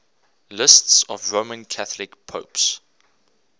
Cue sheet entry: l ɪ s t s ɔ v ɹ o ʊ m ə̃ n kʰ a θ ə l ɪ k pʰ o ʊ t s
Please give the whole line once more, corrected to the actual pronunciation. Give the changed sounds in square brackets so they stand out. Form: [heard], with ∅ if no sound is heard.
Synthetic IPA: l ɪ s t s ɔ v ɹ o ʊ m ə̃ n kʰ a θ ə l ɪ k pʰ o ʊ [p] s